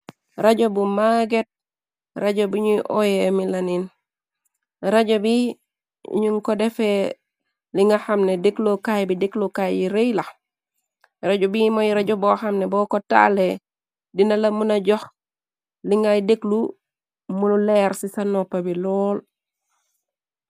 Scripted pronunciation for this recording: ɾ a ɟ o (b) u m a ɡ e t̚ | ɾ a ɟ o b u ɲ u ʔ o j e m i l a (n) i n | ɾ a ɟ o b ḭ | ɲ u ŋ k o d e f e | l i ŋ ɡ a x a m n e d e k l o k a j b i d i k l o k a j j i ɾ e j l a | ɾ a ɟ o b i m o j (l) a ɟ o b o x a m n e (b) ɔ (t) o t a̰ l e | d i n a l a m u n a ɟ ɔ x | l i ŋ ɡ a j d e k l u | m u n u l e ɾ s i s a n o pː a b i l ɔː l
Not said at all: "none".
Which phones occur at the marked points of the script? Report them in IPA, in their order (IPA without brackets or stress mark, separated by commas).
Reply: b, n, ɾ, b, k